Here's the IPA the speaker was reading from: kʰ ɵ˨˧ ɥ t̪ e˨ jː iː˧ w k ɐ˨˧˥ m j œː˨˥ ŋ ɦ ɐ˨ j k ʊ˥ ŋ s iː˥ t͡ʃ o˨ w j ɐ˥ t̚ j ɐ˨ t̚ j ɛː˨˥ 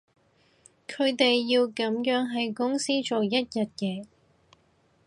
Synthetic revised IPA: kʰ ɵ˨˧ ɥ t̪ e˨ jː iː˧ w k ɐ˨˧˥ m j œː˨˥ ŋ ɦ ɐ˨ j k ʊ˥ ŋ s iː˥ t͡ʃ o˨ w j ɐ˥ t̚ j ɐ˨ t̚ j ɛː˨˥